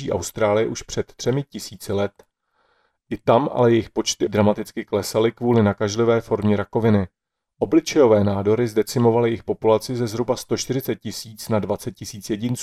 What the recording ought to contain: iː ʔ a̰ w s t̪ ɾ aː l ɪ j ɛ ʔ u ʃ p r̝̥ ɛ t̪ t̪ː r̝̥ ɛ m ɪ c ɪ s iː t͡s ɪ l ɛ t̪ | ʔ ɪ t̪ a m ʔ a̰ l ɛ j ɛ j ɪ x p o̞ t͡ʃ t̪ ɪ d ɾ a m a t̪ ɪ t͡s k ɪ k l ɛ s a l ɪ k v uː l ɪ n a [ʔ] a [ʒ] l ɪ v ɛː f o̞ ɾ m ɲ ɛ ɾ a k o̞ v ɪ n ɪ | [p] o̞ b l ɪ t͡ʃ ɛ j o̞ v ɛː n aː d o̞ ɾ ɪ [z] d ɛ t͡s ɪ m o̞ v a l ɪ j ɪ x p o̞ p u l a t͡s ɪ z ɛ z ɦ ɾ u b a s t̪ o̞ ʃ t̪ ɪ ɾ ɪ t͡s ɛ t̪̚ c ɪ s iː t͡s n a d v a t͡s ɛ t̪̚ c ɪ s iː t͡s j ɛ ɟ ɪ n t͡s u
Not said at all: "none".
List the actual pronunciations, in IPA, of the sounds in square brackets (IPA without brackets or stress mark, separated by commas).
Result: k, ʒ, ʔ, z